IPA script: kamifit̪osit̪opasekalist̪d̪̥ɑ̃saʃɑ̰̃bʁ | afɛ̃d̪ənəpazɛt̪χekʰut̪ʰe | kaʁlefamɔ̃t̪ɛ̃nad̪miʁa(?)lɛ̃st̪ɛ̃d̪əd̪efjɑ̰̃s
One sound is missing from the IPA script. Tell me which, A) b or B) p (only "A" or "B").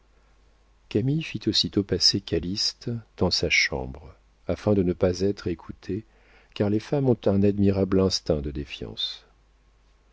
A